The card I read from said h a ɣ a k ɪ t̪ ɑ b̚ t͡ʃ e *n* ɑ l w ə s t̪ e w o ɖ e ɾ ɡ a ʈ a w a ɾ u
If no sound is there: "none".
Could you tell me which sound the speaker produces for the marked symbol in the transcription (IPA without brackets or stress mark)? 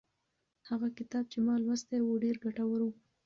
m